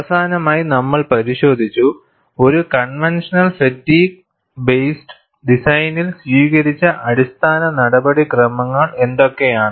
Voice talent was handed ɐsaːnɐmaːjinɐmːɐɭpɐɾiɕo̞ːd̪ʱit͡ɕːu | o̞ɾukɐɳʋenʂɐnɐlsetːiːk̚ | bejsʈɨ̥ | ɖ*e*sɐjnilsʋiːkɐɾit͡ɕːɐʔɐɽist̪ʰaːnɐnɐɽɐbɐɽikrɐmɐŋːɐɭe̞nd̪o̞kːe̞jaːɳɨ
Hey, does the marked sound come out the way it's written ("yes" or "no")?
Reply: no